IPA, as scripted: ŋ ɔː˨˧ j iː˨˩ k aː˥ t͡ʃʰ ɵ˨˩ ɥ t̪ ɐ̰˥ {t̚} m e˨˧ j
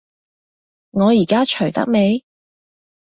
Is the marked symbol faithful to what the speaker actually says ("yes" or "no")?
no